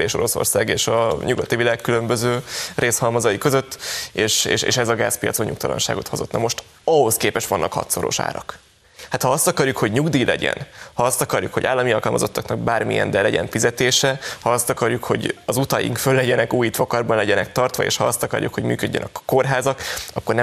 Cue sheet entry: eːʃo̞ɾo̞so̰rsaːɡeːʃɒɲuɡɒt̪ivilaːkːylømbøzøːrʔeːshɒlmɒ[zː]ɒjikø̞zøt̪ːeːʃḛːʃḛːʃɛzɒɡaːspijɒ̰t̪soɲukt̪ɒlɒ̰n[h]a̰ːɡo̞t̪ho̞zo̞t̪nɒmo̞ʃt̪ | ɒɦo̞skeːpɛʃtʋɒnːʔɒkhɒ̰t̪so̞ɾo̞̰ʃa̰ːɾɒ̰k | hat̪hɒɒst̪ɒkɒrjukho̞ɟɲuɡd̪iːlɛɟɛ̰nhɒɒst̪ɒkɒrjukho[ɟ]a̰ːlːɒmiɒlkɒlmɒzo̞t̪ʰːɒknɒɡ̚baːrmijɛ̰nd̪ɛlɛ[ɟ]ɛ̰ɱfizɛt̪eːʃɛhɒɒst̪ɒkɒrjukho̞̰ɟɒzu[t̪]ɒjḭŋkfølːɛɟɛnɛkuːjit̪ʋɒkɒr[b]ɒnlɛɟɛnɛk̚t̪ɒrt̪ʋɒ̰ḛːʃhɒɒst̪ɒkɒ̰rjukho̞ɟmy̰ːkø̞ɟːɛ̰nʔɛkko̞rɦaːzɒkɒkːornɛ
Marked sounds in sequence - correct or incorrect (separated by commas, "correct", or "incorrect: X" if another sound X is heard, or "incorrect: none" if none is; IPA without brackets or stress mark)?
incorrect: z, incorrect: ʃ, correct, correct, correct, correct